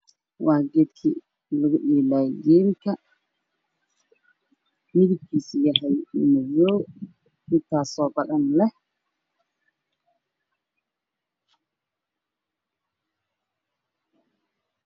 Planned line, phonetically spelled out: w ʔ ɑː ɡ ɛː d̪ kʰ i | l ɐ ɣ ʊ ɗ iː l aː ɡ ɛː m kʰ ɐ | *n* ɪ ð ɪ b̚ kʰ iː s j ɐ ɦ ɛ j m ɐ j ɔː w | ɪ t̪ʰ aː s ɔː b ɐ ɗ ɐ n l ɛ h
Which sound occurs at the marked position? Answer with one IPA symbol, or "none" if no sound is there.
m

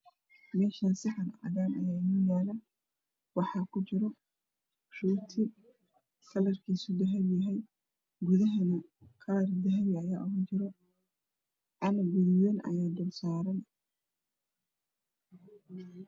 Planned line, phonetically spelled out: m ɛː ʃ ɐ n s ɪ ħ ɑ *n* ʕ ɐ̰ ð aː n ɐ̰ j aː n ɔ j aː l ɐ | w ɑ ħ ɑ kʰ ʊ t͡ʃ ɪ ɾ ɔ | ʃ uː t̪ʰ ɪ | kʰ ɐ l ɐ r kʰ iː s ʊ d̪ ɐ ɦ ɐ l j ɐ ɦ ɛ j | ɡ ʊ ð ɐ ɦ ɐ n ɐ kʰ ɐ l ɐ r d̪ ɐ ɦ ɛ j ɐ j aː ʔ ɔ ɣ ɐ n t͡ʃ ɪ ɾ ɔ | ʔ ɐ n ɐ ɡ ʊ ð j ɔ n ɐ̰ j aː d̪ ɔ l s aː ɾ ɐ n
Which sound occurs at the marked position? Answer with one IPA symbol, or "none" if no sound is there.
n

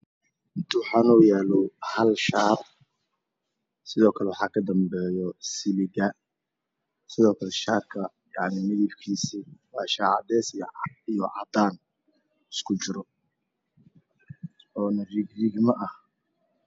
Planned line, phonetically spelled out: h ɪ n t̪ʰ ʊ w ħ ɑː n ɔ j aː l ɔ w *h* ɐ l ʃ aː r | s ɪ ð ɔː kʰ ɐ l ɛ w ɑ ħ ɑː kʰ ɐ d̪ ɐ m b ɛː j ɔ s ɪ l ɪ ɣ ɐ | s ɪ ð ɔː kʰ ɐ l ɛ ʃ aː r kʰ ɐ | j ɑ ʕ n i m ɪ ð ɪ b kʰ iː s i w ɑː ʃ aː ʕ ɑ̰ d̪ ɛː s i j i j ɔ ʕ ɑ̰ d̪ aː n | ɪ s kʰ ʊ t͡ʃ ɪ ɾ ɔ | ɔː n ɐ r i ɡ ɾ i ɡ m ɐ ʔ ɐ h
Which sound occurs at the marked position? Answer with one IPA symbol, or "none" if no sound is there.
h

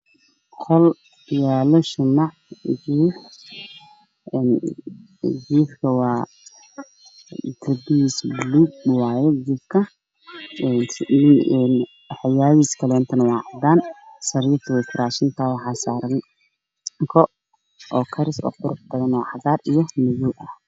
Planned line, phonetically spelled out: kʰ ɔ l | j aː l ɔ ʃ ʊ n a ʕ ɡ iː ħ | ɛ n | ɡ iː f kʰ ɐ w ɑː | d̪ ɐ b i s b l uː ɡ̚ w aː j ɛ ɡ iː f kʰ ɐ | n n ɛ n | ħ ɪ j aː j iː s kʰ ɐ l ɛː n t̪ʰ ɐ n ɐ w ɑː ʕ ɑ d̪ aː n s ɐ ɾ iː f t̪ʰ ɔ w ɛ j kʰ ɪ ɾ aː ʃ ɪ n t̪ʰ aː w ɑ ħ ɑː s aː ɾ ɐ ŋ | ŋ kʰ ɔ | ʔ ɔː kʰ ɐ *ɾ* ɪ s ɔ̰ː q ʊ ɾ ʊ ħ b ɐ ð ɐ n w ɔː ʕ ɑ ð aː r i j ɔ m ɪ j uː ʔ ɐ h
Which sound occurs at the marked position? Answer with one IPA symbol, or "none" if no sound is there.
ɾ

